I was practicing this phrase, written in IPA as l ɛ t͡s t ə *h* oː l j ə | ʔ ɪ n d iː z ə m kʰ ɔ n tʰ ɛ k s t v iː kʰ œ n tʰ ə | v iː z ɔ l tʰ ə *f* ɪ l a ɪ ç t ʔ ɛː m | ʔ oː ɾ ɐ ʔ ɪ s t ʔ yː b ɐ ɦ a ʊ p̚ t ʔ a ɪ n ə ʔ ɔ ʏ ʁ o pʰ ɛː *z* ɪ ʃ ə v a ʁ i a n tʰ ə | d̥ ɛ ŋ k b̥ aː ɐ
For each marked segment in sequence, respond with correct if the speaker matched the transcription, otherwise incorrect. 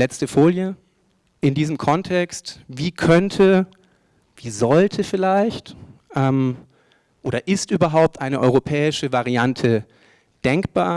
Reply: incorrect: f, correct, incorrect: none

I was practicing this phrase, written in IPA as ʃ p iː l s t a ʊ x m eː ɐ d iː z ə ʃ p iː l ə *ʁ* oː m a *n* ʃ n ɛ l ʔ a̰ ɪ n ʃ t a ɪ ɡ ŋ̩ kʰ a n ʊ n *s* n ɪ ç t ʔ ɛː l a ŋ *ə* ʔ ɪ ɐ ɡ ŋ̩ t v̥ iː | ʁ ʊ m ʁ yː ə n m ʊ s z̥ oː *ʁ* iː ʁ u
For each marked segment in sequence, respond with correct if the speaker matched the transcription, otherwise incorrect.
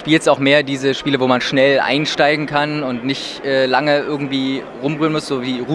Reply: incorrect: v, correct, incorrect: t, correct, incorrect: v

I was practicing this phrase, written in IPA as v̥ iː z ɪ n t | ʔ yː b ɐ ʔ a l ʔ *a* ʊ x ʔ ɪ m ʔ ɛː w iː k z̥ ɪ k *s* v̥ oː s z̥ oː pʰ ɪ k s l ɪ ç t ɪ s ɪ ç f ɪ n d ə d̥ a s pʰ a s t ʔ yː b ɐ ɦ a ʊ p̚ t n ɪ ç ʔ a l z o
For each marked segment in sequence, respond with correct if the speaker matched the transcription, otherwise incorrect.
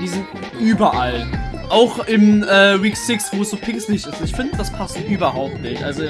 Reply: correct, correct

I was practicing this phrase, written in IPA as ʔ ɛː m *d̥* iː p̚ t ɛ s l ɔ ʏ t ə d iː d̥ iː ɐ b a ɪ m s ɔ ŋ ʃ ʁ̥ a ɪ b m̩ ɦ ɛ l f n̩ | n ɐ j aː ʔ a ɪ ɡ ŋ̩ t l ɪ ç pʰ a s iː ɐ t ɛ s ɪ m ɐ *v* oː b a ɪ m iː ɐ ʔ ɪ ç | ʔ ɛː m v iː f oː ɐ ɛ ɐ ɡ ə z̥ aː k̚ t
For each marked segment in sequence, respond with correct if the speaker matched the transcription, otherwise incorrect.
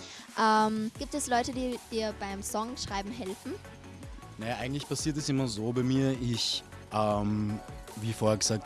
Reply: incorrect: ɡ̥, incorrect: z

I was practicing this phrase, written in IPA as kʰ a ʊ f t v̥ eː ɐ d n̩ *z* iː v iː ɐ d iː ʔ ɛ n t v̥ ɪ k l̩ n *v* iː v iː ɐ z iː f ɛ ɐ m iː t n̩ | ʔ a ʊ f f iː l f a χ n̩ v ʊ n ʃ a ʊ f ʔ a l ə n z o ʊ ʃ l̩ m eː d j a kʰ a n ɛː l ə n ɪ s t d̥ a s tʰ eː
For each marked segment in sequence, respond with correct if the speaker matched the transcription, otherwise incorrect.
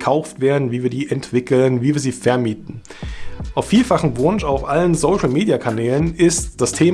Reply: incorrect: v, correct

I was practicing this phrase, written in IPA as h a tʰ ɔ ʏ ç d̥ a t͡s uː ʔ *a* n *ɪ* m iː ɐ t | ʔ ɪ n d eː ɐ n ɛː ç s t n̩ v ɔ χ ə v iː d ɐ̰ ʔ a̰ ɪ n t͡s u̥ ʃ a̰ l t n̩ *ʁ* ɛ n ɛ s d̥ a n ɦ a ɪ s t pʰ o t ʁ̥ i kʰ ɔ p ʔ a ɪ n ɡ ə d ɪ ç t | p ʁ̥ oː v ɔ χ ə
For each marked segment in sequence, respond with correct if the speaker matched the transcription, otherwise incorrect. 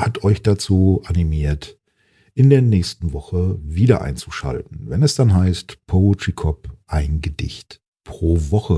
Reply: correct, incorrect: i, incorrect: v

